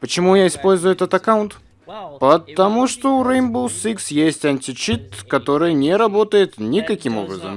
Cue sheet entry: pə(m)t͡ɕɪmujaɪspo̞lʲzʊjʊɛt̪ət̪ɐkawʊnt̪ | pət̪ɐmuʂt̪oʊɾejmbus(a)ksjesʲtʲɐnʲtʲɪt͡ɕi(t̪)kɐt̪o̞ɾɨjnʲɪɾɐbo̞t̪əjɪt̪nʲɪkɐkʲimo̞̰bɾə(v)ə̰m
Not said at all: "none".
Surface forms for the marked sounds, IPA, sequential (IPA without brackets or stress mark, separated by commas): none, i, t̪, z